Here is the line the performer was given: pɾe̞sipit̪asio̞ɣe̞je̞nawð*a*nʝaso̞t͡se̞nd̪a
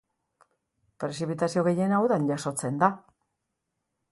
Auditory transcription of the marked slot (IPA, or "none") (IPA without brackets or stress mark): a